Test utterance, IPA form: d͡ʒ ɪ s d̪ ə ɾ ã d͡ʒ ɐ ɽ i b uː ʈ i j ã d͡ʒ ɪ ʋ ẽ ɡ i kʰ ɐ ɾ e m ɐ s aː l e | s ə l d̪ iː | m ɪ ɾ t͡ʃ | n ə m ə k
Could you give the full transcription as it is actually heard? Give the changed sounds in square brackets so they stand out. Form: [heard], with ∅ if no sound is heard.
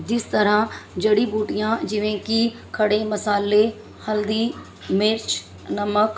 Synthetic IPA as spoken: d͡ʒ ɪ s [t̪] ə ɾ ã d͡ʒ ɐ ɽ i b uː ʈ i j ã d͡ʒ ɪ ʋ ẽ [k] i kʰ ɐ [ɽ] e m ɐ s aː l e | [h] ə l d̪ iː | m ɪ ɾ t͡ʃ | n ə m ə k

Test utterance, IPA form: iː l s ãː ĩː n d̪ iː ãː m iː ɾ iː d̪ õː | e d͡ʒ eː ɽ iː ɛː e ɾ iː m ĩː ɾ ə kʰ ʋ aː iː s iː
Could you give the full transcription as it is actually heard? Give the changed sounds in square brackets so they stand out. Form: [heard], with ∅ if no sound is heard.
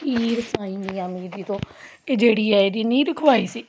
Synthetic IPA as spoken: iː [ɾ] s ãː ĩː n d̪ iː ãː m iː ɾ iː [t̪] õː | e d͡ʒ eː ɽ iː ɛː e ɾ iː [n] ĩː ɾ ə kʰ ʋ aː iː s iː

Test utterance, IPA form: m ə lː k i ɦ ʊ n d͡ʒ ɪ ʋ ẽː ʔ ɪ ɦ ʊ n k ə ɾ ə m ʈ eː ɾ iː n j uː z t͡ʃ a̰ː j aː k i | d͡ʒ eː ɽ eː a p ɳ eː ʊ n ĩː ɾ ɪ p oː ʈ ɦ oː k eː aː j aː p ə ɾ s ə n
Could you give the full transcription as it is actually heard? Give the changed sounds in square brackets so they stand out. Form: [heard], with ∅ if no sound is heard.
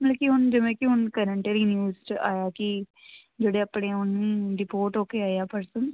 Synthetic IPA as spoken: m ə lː k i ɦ ʊ n d͡ʒ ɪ ʋ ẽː [k] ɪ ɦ ʊ n k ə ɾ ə [ɳ] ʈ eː ɾ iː n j uː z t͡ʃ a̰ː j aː k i | d͡ʒ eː ɽ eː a p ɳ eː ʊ n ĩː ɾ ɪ p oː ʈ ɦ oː k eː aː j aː p ə ɾ s ə n

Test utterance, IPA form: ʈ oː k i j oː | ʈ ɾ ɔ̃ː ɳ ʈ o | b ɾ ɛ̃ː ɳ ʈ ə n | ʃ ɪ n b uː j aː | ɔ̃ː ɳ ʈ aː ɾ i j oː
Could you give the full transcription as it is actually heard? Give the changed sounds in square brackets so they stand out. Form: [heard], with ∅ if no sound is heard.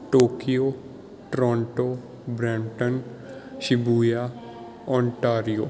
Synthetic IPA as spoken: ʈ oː k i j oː | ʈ ɾ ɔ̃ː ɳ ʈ o | b ɾ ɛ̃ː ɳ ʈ ə n | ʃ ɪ [∅] b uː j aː | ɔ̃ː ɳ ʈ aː ɾ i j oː

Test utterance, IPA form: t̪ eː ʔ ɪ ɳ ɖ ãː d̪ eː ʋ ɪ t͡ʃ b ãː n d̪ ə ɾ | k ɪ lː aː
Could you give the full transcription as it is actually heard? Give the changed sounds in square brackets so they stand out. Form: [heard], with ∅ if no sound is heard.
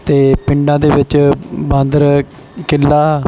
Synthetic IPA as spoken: t̪ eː [p] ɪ ɳ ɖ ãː d̪ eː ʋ ɪ t͡ʃ b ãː n d̪ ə ɾ | k ɪ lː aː

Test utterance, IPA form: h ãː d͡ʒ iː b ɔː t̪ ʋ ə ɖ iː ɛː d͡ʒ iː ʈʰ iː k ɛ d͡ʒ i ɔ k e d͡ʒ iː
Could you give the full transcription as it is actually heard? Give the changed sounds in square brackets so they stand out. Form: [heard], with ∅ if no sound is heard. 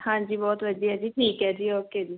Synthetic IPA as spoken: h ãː d͡ʒ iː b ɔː t̪ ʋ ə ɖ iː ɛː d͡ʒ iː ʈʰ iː k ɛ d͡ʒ i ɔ k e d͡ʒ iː

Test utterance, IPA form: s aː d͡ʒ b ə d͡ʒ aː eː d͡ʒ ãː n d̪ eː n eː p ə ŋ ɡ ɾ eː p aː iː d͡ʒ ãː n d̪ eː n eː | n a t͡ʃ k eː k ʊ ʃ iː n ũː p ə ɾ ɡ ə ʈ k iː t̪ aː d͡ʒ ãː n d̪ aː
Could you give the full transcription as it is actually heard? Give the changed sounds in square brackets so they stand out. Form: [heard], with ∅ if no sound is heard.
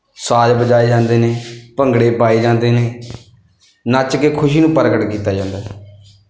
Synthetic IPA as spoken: s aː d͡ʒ b ə d͡ʒ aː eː d͡ʒ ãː n d̪ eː n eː p ə ŋ ɡ [ɽ] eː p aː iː d͡ʒ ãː n d̪ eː n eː | n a t͡ʃ k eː [kʰ] ʊ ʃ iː n ũː p ə ɾ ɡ ə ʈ k iː t̪ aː d͡ʒ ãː n d̪ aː

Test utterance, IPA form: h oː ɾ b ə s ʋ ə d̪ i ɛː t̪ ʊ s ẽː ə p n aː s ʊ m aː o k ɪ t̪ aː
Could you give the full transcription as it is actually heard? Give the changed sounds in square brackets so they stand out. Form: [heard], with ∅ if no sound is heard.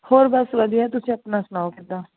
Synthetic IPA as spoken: h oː ɾ b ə s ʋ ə d̪ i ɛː t̪ ʊ s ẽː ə p n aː s ʊ [n] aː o k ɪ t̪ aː

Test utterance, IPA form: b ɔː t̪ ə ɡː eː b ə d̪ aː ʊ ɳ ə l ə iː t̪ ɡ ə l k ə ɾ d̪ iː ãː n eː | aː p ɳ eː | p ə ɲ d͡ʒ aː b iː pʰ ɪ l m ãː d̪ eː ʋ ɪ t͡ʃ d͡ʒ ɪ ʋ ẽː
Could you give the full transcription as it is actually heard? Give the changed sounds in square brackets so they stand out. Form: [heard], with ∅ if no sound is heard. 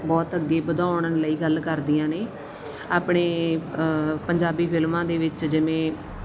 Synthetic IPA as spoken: b ɔː t̪ ə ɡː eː b ə d̪ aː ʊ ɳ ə l ə iː [∅] ɡ ə l k ə ɾ d̪ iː ãː n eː | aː p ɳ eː | p ə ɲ d͡ʒ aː b iː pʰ ɪ l m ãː d̪ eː ʋ ɪ t͡ʃ d͡ʒ ɪ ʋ ẽː

